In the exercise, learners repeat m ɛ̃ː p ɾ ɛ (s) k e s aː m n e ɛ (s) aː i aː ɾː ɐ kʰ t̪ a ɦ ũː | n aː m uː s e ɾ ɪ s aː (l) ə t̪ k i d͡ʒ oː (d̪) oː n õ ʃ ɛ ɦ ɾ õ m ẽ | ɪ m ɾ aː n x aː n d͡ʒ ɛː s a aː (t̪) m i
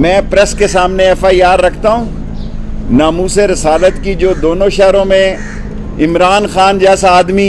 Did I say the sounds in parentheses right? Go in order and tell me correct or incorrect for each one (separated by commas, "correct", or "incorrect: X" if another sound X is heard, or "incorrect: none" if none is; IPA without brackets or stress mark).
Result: correct, incorrect: f, correct, correct, incorrect: d̪